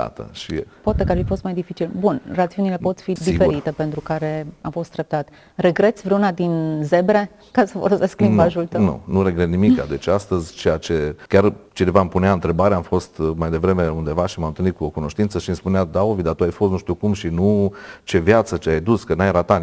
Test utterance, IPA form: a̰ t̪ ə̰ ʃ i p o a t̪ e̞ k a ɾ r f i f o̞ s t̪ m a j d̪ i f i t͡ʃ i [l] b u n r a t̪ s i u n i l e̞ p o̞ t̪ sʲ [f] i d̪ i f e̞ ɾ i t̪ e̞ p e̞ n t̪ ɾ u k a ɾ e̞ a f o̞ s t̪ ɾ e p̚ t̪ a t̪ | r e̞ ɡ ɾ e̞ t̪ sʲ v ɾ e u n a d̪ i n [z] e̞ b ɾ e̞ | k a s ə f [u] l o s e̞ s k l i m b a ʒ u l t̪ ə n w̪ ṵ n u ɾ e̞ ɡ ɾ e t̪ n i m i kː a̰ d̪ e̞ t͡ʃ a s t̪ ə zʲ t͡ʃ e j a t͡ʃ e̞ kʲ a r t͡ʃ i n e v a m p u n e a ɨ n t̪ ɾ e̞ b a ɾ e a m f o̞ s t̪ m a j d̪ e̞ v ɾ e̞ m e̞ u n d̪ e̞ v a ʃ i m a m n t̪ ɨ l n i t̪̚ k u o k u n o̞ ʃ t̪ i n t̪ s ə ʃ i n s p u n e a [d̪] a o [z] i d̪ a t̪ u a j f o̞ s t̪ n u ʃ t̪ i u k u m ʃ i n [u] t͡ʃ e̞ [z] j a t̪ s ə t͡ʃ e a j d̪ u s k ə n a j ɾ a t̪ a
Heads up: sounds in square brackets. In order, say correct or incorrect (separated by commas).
correct, correct, correct, incorrect, correct, incorrect, correct, incorrect